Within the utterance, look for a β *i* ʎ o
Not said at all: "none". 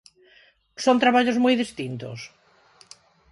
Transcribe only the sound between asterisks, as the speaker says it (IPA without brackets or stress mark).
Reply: a